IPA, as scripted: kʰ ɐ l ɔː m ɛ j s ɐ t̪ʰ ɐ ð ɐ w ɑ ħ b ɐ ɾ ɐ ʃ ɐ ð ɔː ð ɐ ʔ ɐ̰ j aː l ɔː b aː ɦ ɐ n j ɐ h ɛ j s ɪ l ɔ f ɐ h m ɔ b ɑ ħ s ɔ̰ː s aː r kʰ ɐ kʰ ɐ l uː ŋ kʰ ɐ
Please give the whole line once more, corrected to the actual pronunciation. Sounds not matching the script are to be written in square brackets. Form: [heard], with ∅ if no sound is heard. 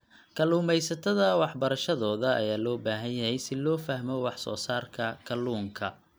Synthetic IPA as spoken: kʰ ɐ l [uː] m ɛ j s ɐ t̪ʰ ɐ ð ɐ w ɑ ħ b ɐ ɾ ɐ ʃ ɐ ð ɔː ð ɐ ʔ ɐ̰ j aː l ɔː b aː ɦ ɐ n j ɐ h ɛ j s ɪ l [ɔː] f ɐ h m ɔ [w] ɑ ħ s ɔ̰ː s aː r kʰ ɐ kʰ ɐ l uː ŋ kʰ ɐ